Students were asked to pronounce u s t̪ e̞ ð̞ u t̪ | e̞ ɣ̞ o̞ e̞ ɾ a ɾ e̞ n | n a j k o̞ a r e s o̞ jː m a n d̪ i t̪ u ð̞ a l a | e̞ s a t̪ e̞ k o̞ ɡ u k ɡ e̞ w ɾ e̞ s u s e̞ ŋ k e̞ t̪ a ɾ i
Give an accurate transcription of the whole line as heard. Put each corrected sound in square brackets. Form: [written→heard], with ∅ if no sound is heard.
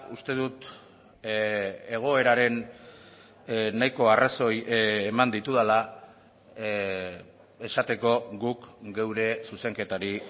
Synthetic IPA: u s t̪ e̞ ð̞ u t̪ | e̞ ɣ̞ o̞ e̞ ɾ a ɾ e̞ n | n a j k o̞ a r [e→a] s o̞ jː m a n d̪ i t̪ u ð̞ a l a | e̞ s a t̪ e̞ k o̞ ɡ u k ɡ e̞ w ɾ e̞ s u s e̞ ŋ k e̞ t̪ a ɾ i